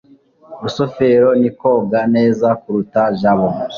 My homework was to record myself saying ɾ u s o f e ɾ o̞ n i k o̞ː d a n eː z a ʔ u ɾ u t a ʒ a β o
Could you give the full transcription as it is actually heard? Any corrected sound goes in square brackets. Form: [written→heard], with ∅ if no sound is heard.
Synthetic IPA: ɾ u s o f e ɾ o̞ n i k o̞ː [d→ɡ] a n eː z a [ʔ→k] u ɾ u t a ʒ a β o